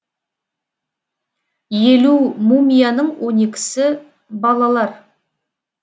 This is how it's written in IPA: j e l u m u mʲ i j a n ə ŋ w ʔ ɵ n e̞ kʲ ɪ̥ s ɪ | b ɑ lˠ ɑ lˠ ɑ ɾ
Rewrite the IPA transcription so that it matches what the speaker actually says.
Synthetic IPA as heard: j e l u m u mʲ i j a n ə ɴ w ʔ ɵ n e̞ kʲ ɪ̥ s ɪ | b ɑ lˠ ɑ lˠ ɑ ɾ

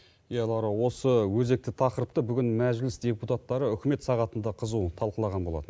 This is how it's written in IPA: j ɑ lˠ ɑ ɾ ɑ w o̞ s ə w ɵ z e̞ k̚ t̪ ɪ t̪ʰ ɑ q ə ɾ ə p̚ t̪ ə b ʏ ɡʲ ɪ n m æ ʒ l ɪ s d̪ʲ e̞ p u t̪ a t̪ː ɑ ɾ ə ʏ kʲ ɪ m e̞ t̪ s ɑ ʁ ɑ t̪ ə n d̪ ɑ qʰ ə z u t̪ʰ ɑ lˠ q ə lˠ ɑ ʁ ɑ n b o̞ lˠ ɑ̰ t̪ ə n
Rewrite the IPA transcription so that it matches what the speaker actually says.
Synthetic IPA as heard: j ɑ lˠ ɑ ɾ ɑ w o̞ s ə w ɵ z e̞ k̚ t̪ ɪ t̪ʰ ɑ q ə ɾ ə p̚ t̪ ə b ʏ ɡʲ ɪ n m æ ʒ l ɪ s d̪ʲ e̞ p u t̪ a t̪ː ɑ ɾ ə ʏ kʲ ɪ m e̞ t̪ s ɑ ʁ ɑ t̪ ə n d̪ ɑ qʰ ə z u t̪ʰ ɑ lˠ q ə lˠ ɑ ʁ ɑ n b o̞ lˠ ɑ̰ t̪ ə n

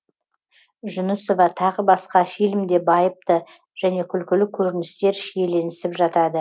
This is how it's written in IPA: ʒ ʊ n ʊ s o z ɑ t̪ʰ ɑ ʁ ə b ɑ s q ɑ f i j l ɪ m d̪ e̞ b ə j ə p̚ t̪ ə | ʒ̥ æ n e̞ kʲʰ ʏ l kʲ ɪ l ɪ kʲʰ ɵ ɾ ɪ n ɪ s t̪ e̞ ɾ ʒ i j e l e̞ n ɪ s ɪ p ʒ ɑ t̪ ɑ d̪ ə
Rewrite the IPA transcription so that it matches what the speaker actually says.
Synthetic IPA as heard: ʒ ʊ n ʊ s o v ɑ t̪ʰ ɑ ʁ ə b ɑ s q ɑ f i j l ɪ m d̪ e̞ b ɑ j ə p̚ t̪ ə | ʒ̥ æ n e̞ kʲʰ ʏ l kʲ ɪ l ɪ kʲʰ ɵ ɾ ɪ n ɪ s t̪ e̞ ɾ ʃ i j e l e̞ n ɪ s ɪ p ʒ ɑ t̪ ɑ d̪ ə

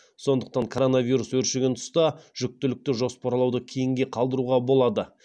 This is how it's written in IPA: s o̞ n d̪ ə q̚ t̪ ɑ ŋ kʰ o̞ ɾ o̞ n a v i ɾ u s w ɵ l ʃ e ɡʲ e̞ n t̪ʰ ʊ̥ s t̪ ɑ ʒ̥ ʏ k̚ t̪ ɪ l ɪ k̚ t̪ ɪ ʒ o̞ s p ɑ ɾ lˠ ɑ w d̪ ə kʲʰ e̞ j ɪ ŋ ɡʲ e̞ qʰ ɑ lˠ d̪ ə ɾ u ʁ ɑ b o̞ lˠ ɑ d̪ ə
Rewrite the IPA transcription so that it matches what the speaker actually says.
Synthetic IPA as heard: s o̞ n d̪ ə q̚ t̪ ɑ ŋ kʰ o̞ ɾ o̞ n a v i ɾ u s w ɵ ɾ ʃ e ɡʲ e̞ n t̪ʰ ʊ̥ s t̪ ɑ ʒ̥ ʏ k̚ t̪ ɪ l ɪ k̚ t̪ ɪ ʒ o̞ s p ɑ ɾ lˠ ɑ w d̪ ə kʲʰ e̞ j ɪ ŋ ɡʲ e̞ qʰ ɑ lˠ d̪ ə ɾ u ʁ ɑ b o̞ lˠ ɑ d̪ ə

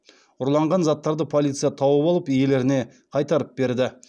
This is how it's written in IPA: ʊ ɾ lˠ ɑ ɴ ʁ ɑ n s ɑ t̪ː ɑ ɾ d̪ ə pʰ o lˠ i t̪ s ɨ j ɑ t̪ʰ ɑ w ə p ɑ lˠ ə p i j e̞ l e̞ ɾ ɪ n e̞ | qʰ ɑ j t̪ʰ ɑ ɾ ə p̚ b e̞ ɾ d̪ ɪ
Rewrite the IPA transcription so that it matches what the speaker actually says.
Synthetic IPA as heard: ʊ ɾ lˠ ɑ ɴ ʁ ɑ n z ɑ t̪ː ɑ ɾ d̪ ə pʰ o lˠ i t̪ s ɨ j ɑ t̪ʰ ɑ w ə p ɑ lˠ ə p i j e̞ l e̞ ɾ ɪ n e̞ | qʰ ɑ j t̪ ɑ ɾ ə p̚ b e̞ ɾ d̪ ɪ

